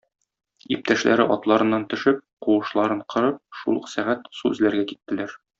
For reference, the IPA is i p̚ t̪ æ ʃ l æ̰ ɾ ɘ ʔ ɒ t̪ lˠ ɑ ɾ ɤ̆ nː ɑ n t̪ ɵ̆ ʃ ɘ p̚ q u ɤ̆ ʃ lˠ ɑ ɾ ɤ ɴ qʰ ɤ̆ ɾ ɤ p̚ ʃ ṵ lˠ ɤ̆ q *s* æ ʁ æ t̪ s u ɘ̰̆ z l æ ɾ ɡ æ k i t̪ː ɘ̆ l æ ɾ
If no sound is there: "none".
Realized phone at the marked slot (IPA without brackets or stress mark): s